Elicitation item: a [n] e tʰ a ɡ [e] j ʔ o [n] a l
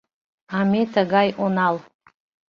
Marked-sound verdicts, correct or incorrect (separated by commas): incorrect, incorrect, correct